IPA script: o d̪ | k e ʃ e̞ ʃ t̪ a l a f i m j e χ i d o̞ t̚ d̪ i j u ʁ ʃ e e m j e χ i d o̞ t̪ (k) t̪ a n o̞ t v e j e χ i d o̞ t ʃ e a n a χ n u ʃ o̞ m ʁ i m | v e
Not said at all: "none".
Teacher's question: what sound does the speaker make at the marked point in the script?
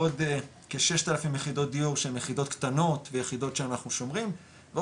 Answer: k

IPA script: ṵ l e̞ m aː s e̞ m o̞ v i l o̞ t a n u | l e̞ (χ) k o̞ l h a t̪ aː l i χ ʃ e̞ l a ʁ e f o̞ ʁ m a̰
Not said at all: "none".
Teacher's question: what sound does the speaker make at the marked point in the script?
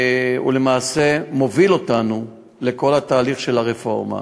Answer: none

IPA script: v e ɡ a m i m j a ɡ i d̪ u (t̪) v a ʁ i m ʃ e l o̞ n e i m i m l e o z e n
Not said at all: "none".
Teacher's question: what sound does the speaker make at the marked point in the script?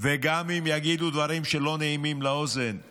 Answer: d̪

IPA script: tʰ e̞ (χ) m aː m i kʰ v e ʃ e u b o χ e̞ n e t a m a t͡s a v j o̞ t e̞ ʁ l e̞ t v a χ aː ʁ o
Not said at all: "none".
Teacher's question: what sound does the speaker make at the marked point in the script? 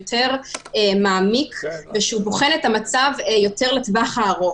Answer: ʁ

